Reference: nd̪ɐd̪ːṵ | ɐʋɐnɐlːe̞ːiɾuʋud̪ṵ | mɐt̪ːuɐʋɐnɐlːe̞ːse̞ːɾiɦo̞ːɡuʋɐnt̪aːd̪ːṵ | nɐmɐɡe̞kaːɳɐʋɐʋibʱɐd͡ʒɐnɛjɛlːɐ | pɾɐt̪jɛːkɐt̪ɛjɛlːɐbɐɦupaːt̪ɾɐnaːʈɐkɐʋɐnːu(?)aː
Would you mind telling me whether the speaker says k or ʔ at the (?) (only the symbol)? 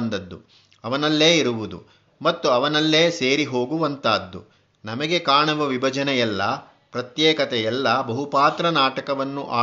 ʔ